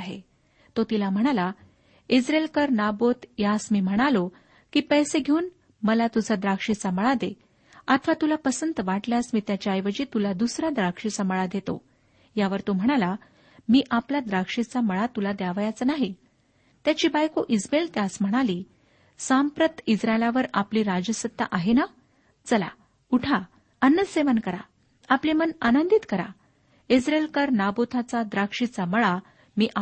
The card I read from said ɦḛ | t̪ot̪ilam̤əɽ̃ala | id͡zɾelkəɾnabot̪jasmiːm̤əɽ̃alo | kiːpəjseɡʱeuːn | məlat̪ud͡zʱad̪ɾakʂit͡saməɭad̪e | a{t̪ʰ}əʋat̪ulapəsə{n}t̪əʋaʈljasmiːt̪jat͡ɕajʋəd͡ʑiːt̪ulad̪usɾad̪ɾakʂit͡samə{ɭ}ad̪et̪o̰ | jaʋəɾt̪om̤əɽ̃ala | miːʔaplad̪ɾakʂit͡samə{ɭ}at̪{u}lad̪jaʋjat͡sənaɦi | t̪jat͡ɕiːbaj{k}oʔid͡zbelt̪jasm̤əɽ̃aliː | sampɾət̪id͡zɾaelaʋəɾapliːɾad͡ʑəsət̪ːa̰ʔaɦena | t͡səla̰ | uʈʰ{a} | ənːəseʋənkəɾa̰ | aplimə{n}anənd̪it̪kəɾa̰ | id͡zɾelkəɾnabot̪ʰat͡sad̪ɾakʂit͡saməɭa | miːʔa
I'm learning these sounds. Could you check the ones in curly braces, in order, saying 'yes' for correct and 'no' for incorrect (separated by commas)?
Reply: yes, yes, yes, yes, yes, yes, yes, yes